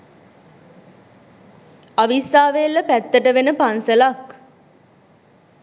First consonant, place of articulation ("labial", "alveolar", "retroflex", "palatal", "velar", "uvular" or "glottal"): labial